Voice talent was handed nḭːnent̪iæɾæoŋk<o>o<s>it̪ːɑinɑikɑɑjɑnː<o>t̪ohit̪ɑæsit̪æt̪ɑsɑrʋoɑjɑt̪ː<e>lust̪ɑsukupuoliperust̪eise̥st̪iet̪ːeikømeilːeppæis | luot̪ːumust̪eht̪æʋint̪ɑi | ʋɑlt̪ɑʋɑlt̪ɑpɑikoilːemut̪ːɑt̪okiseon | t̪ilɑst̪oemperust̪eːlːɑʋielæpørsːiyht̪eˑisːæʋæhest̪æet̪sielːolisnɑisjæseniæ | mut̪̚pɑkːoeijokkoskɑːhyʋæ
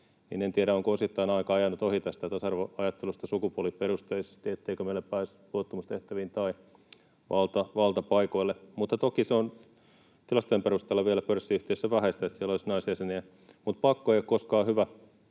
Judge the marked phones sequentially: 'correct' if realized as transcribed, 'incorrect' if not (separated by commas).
correct, correct, incorrect, correct